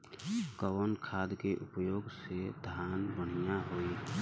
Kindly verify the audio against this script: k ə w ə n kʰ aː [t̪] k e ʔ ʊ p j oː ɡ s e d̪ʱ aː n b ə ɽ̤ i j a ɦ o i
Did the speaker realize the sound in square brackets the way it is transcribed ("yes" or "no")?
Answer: no